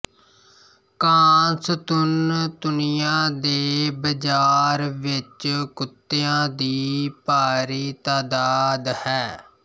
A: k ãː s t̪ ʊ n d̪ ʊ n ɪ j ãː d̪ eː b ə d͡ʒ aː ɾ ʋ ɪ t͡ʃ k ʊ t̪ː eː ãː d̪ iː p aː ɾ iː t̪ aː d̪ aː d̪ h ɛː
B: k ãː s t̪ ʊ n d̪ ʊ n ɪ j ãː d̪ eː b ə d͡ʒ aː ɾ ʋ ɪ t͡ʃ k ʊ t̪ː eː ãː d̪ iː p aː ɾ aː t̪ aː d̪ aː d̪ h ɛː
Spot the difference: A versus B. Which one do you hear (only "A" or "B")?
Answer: A